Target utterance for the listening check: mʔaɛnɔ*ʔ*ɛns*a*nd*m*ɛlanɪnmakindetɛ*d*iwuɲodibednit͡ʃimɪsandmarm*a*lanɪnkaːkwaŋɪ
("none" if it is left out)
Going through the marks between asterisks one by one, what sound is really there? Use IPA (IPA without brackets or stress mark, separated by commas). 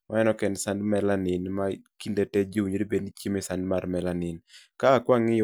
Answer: k, a, m, d͡ʒ, ɛ